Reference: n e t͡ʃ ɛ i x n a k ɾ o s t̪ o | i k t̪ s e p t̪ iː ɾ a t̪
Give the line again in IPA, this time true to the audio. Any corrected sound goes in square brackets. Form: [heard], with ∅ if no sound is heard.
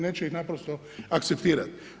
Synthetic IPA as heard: n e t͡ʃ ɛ i x n a [p] ɾ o s t̪ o | [a] k t̪ s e p t̪ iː ɾ a t̪